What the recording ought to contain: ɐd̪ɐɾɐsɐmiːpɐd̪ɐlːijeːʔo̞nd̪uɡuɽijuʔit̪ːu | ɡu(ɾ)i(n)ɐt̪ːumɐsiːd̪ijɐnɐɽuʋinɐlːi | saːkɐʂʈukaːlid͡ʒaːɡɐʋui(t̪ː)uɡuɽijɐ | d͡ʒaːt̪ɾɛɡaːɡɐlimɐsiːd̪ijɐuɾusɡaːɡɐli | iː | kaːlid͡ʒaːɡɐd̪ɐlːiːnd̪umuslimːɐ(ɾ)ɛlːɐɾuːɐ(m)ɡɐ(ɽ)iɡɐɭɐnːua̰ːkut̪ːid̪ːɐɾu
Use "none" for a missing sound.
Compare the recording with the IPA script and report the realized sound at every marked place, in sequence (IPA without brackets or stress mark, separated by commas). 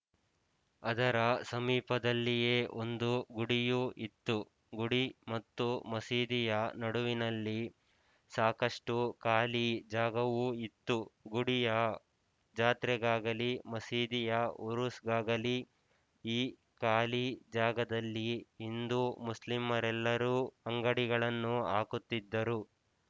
ɽ, m, t̪ː, ɾ, ŋ, ɽ